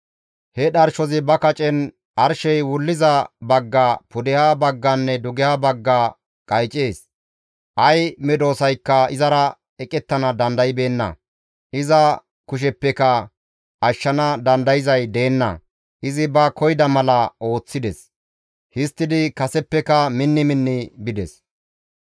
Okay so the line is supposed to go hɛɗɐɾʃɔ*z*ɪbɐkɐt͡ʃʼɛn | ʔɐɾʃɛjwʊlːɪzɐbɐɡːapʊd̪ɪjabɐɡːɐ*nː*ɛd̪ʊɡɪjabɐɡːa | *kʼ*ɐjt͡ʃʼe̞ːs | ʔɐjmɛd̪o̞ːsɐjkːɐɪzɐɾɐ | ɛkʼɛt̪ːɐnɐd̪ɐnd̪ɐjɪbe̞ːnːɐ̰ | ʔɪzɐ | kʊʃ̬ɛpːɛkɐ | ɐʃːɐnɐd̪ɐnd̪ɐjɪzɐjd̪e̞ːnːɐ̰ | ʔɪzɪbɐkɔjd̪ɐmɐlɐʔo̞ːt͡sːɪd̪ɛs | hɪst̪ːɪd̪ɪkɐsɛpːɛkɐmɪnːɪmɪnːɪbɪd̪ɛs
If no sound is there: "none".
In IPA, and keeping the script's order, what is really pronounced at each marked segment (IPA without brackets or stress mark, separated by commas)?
z, nː, kʼ